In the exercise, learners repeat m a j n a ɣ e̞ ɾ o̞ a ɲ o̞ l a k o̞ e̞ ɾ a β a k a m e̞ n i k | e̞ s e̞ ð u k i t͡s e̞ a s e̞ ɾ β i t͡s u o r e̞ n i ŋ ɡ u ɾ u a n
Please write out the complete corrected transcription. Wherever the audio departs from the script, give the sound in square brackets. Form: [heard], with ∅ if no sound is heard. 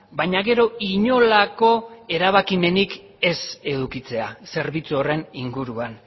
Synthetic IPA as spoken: [b] a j [ɲ] a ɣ e̞ ɾ o̞ [i] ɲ o̞ l a k o̞ e̞ ɾ a β a k [i] m e̞ n i k | e̞ s e̞ ð u k i t͡s e̞ a s e̞ ɾ β i t͡s u o r e̞ n i ŋ ɡ u ɾ u a n